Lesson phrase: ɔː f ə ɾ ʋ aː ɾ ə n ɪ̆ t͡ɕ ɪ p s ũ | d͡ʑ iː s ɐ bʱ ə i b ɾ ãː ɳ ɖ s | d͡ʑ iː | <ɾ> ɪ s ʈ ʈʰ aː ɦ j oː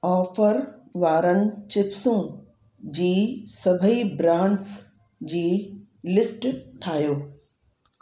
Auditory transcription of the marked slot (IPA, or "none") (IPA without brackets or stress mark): l